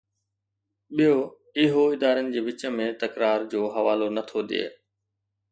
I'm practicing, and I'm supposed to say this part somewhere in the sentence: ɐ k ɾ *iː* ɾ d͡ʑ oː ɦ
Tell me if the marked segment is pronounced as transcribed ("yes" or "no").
no